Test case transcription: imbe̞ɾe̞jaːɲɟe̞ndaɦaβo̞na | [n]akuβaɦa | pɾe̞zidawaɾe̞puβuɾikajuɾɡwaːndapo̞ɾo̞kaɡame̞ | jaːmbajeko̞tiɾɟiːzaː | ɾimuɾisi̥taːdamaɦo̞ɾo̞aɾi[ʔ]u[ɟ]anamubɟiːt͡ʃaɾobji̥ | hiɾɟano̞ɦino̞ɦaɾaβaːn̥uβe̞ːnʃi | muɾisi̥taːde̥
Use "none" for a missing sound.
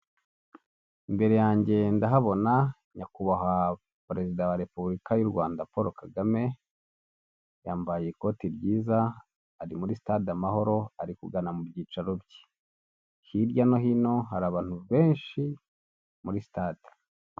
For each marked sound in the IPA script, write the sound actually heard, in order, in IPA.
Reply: ɲ, k, ɡ

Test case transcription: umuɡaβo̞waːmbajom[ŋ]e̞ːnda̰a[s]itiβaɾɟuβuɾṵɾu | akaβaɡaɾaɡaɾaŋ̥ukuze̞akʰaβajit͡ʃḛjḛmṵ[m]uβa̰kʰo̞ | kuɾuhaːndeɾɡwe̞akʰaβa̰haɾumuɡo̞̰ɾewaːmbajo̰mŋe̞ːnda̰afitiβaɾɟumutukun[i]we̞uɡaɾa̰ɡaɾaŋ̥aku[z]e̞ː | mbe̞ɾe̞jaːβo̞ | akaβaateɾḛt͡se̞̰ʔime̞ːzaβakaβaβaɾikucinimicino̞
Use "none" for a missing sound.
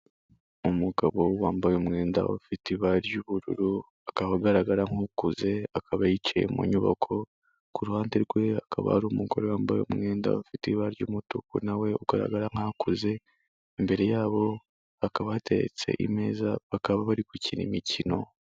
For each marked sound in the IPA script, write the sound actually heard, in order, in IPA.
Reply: ŋ, f, ɲ, a, z

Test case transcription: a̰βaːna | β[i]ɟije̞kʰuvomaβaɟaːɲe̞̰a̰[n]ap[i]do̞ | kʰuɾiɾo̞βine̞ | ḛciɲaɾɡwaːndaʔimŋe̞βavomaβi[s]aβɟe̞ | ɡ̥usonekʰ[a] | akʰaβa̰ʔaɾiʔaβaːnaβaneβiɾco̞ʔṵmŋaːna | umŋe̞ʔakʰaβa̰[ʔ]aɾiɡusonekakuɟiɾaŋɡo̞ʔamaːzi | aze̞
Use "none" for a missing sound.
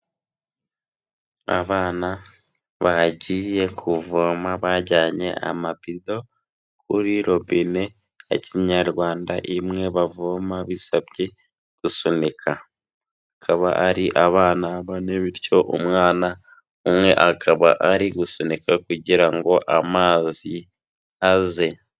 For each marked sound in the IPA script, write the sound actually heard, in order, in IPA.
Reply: a, m, i, s, a, ʔ

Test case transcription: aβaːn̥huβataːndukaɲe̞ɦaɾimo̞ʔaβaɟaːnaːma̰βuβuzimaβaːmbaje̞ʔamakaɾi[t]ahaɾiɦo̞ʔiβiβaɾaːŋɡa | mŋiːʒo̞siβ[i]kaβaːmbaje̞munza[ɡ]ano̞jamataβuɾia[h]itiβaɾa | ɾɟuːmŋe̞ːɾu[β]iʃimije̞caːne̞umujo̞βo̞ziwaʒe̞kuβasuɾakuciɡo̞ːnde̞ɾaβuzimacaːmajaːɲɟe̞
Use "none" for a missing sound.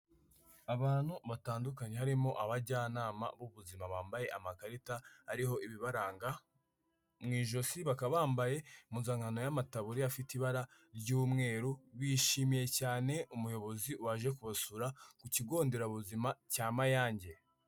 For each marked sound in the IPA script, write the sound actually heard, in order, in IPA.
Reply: t, a, ŋ, f, β

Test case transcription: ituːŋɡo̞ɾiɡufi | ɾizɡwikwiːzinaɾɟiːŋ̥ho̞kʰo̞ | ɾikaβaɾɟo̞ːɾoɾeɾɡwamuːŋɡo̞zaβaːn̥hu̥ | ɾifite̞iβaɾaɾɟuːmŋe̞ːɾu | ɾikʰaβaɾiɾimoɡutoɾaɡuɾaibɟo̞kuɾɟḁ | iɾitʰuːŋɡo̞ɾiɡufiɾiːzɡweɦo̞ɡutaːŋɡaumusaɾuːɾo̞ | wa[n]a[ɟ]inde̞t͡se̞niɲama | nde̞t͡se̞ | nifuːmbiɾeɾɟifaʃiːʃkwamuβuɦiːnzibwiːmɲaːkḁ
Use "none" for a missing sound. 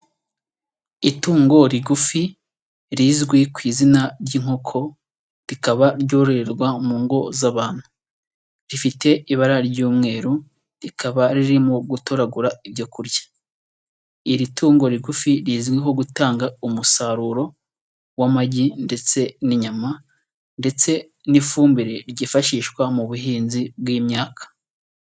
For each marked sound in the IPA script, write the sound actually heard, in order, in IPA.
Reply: m, ɟ

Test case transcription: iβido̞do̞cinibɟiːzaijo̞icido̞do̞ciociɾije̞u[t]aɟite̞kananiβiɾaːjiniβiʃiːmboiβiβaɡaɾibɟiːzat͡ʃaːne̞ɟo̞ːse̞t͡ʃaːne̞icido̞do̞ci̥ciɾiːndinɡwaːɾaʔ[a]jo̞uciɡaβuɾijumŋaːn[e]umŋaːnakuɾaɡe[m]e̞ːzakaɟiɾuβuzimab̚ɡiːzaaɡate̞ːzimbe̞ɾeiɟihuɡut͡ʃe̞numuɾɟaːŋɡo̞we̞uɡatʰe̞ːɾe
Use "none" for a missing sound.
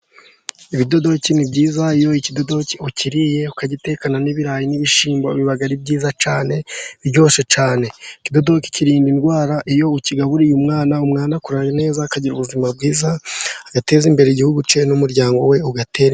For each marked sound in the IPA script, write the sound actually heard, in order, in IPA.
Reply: k, i, a, n

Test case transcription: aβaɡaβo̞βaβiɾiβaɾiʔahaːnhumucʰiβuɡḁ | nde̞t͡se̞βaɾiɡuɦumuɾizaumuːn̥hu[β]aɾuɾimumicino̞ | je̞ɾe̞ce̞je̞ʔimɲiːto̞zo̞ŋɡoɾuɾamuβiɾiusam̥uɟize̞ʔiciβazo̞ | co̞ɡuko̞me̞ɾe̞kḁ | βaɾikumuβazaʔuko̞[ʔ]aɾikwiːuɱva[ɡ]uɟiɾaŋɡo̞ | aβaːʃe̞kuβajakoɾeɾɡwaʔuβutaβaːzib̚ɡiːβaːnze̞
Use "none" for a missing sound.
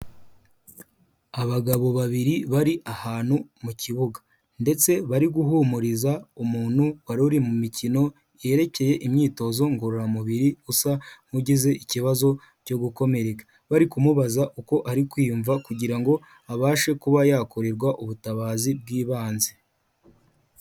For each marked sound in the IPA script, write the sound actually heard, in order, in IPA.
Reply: w, ʔ, k

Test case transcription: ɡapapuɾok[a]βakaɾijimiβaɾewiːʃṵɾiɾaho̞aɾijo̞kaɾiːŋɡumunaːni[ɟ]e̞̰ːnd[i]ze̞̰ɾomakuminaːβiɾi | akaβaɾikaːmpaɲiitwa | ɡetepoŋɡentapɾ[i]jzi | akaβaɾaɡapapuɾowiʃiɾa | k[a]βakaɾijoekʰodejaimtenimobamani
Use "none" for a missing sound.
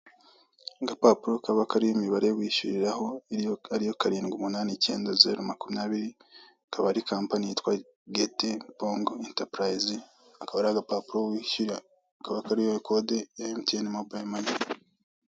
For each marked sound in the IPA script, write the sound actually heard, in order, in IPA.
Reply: a, c, a, a, a

